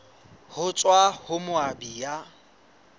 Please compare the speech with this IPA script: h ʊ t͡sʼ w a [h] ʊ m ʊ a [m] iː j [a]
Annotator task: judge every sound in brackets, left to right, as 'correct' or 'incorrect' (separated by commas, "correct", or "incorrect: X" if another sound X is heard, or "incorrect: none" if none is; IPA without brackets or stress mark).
correct, incorrect: b, correct